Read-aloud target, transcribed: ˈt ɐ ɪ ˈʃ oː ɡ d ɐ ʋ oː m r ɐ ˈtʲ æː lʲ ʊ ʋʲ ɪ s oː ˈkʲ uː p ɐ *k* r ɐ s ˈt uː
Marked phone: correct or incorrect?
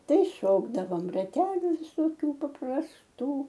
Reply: incorrect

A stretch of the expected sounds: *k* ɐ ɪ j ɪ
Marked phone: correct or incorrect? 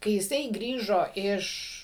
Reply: correct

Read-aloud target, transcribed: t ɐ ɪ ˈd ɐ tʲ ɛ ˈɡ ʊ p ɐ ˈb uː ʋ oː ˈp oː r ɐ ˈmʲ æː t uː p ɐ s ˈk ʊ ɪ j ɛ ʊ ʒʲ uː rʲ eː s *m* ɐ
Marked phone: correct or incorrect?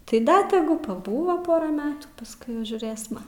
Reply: correct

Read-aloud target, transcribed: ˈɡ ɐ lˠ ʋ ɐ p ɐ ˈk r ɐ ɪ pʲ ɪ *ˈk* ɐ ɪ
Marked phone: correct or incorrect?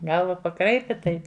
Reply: incorrect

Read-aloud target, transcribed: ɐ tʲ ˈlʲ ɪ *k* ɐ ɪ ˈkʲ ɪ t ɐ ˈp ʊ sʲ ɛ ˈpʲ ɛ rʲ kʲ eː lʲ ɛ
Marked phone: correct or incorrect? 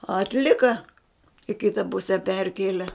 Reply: correct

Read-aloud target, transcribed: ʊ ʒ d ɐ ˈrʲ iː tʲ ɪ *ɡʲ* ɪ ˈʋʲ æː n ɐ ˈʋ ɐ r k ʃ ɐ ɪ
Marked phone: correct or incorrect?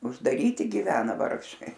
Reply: correct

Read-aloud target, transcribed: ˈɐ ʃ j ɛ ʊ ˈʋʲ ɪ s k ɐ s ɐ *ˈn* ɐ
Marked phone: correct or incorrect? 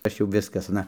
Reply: correct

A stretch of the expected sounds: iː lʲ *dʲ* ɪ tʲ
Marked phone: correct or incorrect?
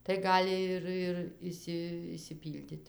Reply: correct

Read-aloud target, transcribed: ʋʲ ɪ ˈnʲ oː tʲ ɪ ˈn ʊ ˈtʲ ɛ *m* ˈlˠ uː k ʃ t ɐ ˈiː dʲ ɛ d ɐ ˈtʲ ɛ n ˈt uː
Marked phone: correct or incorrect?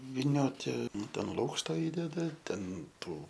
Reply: incorrect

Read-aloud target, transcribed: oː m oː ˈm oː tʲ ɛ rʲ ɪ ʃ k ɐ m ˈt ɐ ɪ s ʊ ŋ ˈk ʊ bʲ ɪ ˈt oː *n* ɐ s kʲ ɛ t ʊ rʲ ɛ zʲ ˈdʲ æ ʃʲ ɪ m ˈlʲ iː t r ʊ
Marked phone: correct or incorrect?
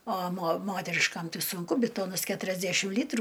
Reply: correct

